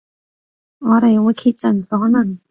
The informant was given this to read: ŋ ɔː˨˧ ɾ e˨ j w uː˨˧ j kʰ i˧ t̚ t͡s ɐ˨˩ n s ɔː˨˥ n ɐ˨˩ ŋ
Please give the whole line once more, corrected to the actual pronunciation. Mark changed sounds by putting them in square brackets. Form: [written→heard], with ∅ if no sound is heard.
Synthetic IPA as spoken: ŋ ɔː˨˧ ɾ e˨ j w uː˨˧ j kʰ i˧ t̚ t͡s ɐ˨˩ n s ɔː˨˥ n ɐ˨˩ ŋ